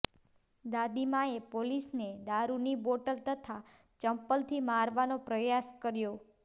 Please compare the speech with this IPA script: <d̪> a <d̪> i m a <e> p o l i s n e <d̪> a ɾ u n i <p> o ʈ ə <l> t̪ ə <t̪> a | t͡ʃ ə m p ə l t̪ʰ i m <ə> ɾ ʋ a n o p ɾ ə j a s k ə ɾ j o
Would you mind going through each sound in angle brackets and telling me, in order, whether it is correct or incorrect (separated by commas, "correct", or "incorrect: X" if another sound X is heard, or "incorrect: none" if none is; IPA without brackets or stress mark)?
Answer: correct, correct, correct, correct, incorrect: b, correct, incorrect: t̪ʰ, incorrect: a